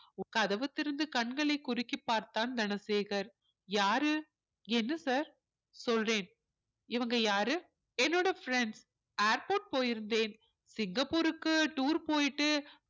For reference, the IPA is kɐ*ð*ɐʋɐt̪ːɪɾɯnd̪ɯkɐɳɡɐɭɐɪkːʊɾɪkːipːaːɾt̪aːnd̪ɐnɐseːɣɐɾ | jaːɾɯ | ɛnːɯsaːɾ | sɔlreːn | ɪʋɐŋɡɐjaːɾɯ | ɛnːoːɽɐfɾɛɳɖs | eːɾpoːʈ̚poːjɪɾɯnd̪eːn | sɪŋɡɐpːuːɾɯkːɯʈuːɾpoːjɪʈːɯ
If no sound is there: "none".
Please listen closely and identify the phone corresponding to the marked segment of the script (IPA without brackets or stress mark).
ð